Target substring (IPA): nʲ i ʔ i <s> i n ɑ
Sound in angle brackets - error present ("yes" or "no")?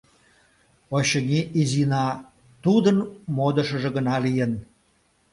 yes